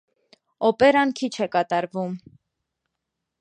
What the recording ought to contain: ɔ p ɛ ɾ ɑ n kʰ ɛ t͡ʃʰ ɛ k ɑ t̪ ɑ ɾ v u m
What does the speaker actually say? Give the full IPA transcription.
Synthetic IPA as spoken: ɔ p ɛ ɾ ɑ n kʰ i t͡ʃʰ ɛ k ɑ t̪ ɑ ɾ v u m